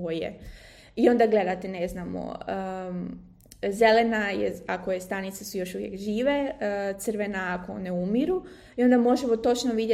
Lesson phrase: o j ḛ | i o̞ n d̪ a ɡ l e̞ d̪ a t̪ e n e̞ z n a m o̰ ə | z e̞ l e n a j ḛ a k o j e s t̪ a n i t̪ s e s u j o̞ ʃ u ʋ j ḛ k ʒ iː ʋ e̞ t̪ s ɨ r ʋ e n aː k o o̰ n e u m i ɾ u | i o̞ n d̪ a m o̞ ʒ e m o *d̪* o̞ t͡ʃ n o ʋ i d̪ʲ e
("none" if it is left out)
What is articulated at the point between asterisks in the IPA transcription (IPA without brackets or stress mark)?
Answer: t̪